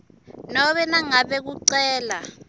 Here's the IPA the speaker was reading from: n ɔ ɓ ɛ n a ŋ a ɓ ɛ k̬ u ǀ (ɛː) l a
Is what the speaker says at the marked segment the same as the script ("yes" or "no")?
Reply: yes